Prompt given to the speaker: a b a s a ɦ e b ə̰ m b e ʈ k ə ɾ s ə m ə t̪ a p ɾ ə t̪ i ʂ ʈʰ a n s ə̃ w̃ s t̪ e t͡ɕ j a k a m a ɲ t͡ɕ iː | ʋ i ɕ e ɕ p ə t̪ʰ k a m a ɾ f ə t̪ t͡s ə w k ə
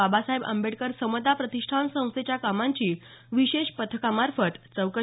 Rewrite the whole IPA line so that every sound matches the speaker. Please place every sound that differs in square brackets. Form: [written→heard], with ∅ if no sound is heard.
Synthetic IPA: a b a s a ɦ e b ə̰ m b e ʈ k ə ɾ s ə m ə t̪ a p ɾ ə t̪ i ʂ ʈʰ a n s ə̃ w̃ s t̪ e t͡ɕ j a k a m a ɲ t͡ɕ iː | ʋ i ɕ e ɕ p ə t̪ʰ k a m a ɾ f ə t̪ t͡s ə w k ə